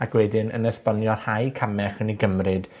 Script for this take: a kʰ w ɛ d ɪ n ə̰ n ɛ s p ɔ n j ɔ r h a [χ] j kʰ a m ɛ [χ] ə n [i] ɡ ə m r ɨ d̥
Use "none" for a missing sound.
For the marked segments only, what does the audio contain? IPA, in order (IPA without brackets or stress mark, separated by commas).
none, χ, i